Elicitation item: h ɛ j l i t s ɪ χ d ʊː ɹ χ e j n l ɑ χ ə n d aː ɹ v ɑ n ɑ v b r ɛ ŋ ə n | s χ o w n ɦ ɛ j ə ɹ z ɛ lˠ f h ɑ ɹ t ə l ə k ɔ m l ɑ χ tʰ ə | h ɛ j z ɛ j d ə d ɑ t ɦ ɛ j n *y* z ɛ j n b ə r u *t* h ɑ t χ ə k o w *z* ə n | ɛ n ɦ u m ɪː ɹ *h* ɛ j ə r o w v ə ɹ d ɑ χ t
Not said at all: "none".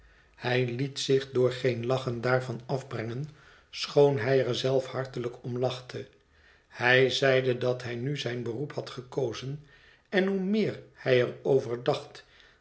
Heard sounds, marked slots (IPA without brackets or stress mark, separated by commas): y, p, z, h